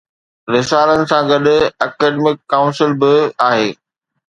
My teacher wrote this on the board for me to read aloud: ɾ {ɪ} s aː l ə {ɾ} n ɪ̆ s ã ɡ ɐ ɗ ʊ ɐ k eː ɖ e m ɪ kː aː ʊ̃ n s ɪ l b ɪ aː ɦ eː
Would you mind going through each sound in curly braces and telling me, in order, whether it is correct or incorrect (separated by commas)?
correct, incorrect